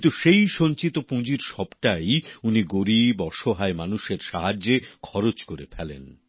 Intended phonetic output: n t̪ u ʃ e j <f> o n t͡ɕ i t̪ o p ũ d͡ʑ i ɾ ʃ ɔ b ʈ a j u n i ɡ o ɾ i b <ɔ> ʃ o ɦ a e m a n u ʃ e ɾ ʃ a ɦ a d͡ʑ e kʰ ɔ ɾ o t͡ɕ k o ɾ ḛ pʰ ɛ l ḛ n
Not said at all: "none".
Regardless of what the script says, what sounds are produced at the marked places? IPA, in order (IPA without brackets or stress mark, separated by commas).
ʃ, ɔ